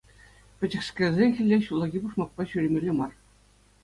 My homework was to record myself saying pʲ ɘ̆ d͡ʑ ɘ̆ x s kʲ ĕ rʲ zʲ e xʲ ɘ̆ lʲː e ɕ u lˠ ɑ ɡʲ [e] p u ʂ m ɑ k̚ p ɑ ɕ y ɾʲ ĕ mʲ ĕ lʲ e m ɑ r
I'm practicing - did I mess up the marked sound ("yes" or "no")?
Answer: yes